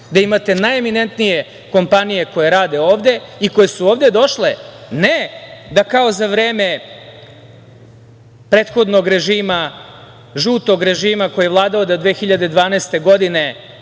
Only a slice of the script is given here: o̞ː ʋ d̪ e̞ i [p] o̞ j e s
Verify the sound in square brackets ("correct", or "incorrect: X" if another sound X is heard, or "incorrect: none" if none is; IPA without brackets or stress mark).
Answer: incorrect: k